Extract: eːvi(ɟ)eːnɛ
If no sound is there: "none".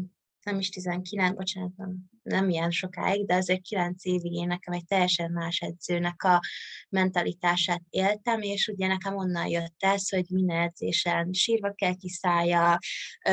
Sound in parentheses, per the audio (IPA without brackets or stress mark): ɡ